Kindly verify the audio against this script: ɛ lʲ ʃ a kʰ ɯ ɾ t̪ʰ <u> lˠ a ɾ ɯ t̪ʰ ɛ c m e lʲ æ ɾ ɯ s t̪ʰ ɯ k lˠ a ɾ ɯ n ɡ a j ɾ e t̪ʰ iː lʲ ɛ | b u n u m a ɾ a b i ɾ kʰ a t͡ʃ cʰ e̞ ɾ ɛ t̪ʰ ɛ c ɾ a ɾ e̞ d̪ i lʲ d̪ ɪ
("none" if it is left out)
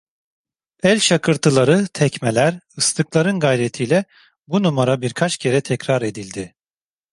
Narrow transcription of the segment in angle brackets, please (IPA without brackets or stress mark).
ɯ